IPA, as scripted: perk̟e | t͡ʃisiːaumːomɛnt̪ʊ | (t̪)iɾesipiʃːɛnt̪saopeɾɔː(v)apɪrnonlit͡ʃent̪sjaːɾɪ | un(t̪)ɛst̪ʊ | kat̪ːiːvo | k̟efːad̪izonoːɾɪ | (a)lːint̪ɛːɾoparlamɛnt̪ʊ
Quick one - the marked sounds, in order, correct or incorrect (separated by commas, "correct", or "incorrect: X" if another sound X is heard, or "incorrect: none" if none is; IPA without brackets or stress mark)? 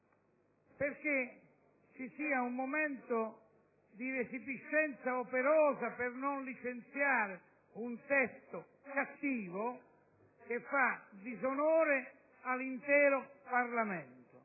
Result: incorrect: d̪, incorrect: z, correct, correct